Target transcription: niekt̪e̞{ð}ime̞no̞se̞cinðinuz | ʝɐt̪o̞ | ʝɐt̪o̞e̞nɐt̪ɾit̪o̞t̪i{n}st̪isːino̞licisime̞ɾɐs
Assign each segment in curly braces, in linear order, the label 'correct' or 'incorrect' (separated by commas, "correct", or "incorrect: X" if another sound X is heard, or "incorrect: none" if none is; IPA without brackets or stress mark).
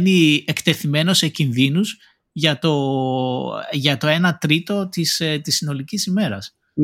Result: incorrect: θ, incorrect: none